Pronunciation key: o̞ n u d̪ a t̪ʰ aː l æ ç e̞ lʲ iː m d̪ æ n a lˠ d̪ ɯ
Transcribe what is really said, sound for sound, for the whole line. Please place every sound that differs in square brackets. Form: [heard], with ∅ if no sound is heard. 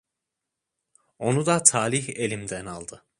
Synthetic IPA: o̞ n u d̪ a t̪ʰ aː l [i] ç e̞ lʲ [i] m d̪ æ n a lˠ d̪ ɯ